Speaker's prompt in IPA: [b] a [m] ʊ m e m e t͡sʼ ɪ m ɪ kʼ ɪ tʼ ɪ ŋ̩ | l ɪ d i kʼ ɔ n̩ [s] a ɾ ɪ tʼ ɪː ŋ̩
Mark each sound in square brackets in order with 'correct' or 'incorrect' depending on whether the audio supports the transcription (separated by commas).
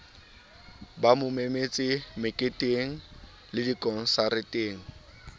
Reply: correct, correct, correct